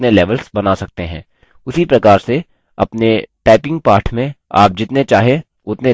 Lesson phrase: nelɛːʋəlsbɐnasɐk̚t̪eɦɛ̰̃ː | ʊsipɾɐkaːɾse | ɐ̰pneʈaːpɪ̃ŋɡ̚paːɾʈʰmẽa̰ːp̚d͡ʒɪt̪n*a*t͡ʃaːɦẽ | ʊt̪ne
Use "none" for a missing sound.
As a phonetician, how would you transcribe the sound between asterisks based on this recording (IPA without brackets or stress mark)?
e